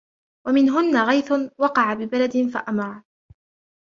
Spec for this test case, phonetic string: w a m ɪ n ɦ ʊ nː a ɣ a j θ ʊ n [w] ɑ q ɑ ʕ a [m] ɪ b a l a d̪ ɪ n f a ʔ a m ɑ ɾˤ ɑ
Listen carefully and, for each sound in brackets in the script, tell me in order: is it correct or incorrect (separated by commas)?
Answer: correct, incorrect